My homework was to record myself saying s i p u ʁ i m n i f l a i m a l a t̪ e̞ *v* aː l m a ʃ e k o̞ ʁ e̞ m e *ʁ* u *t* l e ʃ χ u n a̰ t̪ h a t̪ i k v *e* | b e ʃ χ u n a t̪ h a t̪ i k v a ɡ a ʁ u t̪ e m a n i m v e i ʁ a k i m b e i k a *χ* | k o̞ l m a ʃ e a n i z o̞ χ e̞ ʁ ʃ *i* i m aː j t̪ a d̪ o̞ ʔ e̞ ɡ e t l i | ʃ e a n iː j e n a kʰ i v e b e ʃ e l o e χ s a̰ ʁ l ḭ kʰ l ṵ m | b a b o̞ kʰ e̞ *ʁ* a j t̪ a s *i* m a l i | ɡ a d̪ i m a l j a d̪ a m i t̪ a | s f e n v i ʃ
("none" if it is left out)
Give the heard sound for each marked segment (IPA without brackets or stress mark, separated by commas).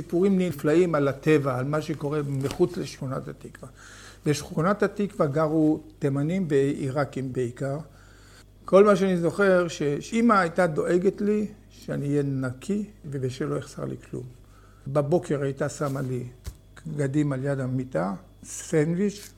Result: v, χ, t͡s, a, ʁ, e, ʁ, a